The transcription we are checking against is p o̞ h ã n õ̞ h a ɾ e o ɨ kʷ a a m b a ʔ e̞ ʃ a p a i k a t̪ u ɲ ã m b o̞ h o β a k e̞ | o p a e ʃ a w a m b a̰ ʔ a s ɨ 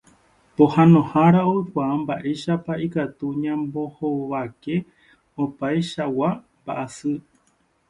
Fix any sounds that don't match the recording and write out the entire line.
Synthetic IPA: p o̞ h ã n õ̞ h a ɾ a o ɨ kʷ a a m b a ʔ e̞ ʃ a p a i k a t̪ u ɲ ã m b o̞ h o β a k e̞ | o p a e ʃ a w a m b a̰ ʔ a s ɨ